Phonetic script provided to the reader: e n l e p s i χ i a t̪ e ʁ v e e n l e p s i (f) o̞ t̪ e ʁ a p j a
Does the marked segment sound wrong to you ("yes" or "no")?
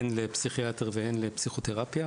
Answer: yes